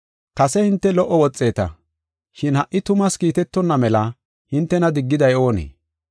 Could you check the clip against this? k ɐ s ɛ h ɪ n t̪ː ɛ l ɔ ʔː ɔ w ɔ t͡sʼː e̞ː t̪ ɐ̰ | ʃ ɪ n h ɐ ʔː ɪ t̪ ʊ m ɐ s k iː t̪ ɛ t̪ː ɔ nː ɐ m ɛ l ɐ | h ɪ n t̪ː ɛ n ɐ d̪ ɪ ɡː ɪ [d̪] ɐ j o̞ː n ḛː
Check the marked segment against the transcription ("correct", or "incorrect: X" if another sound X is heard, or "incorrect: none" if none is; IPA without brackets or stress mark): correct